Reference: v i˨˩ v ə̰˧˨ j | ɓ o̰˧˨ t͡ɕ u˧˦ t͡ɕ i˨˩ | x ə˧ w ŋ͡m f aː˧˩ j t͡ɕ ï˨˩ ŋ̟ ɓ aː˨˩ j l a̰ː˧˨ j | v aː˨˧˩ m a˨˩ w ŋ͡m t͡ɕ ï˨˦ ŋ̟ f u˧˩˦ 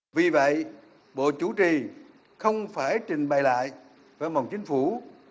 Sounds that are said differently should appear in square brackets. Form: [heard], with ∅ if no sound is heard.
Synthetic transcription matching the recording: v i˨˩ v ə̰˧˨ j | ɓ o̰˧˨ t͡ɕ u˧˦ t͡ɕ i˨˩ | x ə˧ w ŋ͡m f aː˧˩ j t͡ɕ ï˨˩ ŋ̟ ɓ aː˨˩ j l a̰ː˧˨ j | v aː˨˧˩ m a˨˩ w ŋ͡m t͡ɕ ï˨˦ ŋ̟ f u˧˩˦

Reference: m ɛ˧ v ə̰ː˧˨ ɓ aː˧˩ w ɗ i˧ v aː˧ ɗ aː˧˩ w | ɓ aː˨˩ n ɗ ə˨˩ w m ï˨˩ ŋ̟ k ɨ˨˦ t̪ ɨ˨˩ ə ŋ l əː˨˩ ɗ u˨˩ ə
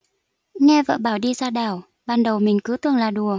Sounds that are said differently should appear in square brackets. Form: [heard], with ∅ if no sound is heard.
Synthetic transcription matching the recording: [ŋ] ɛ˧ v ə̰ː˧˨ ɓ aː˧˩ w ɗ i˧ [z] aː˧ ɗ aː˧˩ w | ɓ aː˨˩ n ɗ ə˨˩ w m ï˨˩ ŋ̟ k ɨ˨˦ t̪ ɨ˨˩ ə ŋ l [aː˨˩] ɗ u˨˩ ə

